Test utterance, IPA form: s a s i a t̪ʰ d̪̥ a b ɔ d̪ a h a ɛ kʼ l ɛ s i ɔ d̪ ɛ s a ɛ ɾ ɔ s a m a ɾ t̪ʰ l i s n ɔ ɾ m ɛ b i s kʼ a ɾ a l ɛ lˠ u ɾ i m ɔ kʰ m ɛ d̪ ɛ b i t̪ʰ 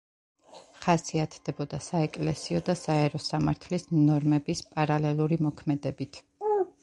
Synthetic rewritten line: χ a s i a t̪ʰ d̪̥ ɛ b ɔ d̪ a s a ɛ kʼ l ɛ s i ɔ d̪ a s a ɛ ɾ ɔ s a m a ɾ t̪ʰ l i s n ɔ ɾ m ɛ b i s pʼ a ɾ a l ɛ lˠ u ɾ i m ɔ kʰ m ɛ d̪ ɛ b i t̪ʰ